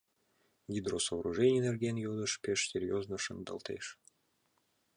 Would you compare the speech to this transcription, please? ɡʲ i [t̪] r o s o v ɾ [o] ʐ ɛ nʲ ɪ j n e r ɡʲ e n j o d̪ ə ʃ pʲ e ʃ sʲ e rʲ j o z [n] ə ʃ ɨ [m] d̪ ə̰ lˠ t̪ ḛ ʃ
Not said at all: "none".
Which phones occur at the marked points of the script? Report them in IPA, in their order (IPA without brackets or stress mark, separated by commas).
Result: d̪, u, n, n